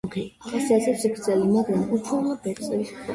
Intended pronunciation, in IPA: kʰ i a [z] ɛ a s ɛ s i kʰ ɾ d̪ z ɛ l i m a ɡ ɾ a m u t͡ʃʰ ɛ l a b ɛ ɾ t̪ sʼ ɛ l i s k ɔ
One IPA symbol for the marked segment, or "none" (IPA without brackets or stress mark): s